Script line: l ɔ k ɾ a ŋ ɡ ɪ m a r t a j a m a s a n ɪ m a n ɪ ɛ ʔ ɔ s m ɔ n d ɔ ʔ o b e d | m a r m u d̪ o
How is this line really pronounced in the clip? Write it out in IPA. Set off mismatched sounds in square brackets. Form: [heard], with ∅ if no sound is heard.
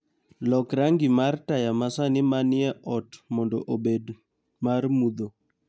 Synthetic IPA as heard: l ɔ k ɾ a ŋ ɡ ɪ m a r t a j a m a s a n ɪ m a n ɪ ɛ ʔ ɔ [t] m ɔ n d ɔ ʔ o b e d | m a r m u d̪ o